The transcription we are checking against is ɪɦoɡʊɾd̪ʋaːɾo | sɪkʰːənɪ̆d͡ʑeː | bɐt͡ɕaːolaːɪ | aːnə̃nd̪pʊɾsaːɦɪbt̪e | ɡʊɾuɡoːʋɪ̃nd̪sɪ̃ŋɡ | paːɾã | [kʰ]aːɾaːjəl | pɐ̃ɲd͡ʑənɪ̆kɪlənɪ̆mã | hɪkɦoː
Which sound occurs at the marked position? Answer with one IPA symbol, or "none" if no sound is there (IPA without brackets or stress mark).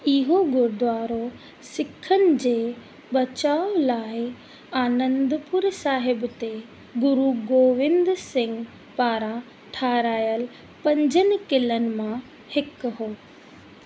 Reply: ʈʰ